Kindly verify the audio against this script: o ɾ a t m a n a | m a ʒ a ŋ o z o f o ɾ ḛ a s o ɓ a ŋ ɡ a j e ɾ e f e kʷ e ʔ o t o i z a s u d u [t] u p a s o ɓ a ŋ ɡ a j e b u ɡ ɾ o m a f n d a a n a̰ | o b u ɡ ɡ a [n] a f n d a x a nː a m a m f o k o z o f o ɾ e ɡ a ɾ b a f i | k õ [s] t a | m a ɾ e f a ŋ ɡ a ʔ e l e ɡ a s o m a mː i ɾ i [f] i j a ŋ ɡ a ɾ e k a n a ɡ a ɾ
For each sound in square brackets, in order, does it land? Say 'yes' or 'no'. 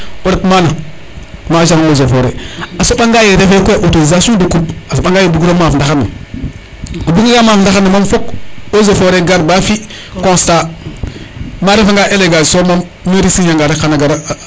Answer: no, no, yes, no

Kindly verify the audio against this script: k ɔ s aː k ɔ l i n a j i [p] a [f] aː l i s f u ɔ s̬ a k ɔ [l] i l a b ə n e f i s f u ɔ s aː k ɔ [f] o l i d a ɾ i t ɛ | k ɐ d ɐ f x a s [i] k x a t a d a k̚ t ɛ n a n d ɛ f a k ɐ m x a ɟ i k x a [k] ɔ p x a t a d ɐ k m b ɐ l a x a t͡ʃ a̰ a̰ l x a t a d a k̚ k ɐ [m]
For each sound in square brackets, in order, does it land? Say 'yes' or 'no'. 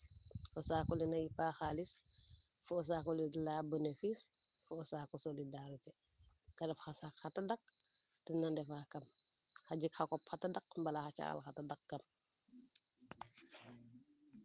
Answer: yes, no, yes, no, no, yes, yes

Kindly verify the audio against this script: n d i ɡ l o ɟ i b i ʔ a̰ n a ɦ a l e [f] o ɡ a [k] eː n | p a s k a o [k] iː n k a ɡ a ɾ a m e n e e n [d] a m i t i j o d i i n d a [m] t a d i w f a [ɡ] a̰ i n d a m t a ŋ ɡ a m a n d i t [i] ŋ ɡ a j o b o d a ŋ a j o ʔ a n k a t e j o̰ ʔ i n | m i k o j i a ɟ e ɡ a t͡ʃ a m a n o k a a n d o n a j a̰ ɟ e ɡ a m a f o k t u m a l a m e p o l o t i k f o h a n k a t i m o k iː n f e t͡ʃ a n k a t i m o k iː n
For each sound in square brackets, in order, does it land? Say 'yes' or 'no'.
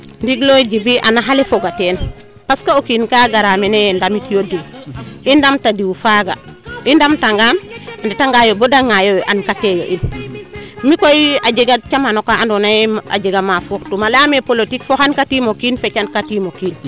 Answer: yes, no, yes, yes, yes, yes, no

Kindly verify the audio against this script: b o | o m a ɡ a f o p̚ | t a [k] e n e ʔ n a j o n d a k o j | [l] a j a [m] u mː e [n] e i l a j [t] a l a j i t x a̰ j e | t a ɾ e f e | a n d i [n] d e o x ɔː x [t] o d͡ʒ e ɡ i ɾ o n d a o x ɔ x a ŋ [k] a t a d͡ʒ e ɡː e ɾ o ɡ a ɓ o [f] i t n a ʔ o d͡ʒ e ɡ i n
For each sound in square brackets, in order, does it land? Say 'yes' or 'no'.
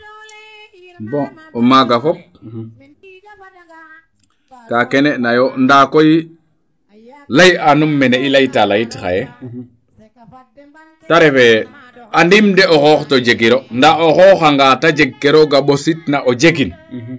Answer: yes, yes, no, yes, yes, no, yes, no, no

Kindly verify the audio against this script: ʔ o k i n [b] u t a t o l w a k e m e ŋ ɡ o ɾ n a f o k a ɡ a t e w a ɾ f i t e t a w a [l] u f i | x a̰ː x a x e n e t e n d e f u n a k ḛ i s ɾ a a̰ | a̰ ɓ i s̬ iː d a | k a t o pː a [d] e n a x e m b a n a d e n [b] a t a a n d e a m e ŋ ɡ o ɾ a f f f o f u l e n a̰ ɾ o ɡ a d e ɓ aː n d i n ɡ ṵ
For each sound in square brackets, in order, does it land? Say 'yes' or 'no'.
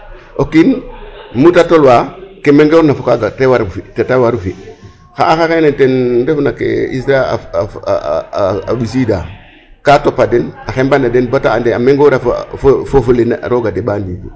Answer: no, no, yes, yes

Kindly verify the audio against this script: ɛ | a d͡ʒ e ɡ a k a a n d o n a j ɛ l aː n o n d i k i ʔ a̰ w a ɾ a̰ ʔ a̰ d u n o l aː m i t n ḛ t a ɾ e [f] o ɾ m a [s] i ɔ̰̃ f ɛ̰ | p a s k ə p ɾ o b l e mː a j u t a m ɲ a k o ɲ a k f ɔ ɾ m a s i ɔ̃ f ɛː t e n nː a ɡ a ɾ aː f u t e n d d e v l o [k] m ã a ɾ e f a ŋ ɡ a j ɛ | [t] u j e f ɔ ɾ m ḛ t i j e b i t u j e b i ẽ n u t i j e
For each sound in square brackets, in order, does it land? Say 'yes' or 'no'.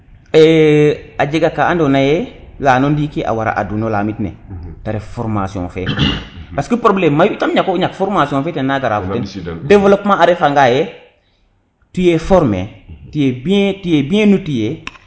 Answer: yes, yes, no, yes

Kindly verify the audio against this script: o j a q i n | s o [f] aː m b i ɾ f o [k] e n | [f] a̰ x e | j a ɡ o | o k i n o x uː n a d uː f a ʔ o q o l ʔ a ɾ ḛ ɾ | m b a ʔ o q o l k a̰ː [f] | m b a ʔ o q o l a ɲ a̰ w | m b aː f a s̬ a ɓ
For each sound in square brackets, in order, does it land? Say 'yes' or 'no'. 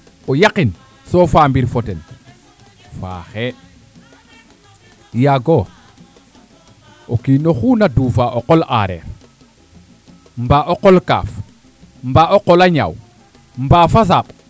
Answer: yes, no, yes, yes

